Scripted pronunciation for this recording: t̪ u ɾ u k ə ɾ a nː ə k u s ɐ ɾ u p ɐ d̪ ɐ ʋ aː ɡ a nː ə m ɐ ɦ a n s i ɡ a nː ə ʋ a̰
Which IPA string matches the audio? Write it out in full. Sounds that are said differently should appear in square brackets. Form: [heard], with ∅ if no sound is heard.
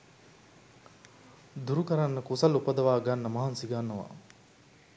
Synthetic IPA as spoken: [d̪] u ɾ u k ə ɾ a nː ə k u s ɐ [l] u p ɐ d̪ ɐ ʋ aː ɡ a nː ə m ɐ ɦ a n s i ɡ a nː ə ʋ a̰